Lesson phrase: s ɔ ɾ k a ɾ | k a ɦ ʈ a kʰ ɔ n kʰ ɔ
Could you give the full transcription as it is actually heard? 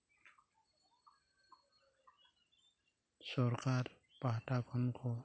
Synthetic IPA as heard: s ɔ ɾ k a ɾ | p a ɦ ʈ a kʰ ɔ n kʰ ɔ